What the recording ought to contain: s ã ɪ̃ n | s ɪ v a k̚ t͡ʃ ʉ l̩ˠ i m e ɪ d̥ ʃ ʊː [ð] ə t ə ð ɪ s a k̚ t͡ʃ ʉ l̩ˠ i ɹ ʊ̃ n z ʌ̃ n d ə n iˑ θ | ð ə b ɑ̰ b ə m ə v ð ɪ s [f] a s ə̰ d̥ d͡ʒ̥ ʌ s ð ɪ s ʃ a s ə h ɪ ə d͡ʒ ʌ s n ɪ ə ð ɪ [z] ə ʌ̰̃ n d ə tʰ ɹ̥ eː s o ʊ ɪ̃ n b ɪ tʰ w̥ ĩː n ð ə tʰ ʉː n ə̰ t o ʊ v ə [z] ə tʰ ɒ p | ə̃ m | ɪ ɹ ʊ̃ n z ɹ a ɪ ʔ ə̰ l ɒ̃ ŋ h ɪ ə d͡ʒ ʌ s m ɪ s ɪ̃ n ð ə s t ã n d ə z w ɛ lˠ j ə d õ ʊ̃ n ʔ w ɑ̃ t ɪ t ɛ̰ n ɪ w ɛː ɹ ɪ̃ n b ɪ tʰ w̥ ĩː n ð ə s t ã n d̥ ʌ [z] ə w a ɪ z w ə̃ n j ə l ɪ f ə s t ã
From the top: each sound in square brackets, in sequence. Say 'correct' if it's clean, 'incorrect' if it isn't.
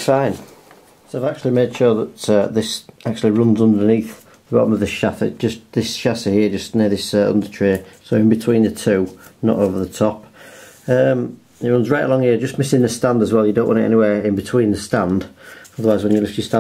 correct, incorrect: ʃ, incorrect: s, incorrect: ð, incorrect: ð

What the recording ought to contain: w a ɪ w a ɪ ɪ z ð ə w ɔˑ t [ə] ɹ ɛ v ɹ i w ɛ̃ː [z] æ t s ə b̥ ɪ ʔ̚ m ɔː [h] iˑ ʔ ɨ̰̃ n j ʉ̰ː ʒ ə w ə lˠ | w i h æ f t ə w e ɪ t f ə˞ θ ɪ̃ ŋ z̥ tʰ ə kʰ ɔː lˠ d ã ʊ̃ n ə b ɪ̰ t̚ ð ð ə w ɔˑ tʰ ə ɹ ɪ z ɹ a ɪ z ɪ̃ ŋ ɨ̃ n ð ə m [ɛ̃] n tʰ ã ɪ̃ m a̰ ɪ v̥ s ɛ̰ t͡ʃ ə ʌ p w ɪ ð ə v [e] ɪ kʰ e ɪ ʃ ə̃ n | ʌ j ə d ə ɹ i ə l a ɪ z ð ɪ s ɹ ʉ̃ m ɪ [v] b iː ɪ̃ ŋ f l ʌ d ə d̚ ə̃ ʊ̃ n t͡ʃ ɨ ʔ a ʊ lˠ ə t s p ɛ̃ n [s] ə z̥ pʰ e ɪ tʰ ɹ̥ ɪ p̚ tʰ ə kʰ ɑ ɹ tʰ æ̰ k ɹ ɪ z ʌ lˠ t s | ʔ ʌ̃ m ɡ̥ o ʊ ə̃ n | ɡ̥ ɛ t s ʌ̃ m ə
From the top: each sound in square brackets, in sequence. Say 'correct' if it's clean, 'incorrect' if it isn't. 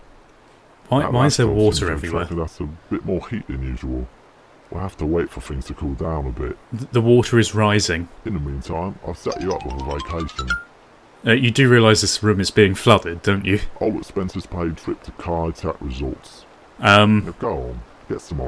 correct, incorrect: ð, correct, incorrect: ĩ, correct, incorrect: z, correct

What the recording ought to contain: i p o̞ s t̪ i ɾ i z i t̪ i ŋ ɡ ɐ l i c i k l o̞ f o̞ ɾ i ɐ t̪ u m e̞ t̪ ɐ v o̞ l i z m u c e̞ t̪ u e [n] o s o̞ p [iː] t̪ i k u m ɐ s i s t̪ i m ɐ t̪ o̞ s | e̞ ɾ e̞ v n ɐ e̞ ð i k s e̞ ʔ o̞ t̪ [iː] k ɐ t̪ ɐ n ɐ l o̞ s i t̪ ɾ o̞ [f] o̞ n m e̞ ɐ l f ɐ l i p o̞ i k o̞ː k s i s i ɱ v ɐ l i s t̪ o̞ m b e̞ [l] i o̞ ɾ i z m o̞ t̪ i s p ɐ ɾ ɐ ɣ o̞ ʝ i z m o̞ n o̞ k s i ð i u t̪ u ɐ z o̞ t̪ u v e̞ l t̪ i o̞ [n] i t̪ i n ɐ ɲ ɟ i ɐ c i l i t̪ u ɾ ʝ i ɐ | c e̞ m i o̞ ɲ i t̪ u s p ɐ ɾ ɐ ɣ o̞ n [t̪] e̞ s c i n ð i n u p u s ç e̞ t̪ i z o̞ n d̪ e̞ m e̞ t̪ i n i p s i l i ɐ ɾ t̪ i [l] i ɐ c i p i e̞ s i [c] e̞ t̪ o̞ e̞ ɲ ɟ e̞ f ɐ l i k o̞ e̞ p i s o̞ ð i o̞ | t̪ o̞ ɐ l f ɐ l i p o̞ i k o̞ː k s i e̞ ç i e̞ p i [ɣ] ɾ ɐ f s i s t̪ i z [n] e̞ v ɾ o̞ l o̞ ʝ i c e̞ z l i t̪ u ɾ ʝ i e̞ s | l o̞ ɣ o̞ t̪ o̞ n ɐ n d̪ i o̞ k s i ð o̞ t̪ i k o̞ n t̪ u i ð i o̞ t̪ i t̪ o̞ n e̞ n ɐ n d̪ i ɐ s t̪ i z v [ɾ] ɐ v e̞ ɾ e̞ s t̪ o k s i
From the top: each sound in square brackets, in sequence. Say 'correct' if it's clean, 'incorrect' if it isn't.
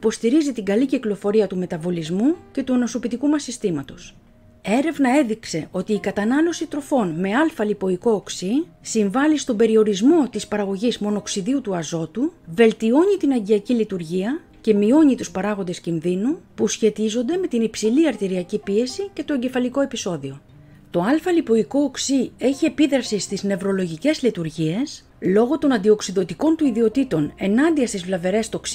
correct, incorrect: i, correct, correct, incorrect: ɾ, incorrect: ɲ, incorrect: d̪, incorrect: ɾ, correct, incorrect: ð, correct, incorrect: l

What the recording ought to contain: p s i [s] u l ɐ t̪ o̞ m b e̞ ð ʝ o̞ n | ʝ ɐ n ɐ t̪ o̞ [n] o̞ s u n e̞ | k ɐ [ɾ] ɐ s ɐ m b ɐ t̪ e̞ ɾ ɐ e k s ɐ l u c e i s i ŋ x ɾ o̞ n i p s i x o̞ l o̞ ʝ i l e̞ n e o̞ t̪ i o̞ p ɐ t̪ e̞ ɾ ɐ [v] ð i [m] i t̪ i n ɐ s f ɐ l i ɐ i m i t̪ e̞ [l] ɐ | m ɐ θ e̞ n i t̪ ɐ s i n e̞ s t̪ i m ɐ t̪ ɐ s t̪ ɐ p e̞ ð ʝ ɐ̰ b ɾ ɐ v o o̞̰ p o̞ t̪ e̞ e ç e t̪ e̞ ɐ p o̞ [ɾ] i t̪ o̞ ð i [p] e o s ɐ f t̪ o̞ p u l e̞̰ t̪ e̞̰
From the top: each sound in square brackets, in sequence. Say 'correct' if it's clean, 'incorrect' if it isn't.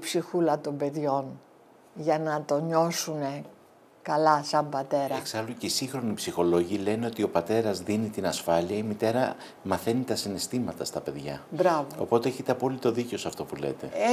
incorrect: x, incorrect: ɲ, incorrect: l, incorrect: z, incorrect: n, incorrect: ɾ, incorrect: l, incorrect: c

